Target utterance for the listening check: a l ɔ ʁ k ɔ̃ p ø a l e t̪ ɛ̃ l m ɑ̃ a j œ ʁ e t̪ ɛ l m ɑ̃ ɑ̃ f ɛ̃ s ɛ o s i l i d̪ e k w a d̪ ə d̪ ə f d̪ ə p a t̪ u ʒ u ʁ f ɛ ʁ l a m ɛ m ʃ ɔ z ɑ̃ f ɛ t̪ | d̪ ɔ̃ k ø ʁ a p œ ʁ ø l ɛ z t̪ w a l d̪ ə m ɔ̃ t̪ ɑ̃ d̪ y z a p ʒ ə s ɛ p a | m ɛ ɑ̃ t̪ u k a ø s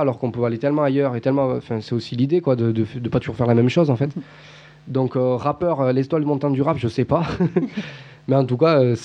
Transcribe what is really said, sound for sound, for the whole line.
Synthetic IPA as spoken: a l ɔ ʁ k ɔ̃ p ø a l e t̪ ɛ l m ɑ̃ a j œ ʁ e t̪ ɛ l m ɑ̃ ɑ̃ f ɛ̃ s ɛ o s i l i d̪ e k w a d̪ ə d̪ ə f d̪ ə p a t̪ u ʒ u ʁ f ɛ ʁ l a m ɛ m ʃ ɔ z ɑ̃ f ɛ t̪ | d̪ ɔ̃ k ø ʁ a p œ ʁ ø l ɛ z t̪ w a l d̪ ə m ɔ̃ t̪ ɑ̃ d̪ y ʁ a p ʒ ə s ɛ p a | m ɛ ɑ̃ t̪ u k a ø s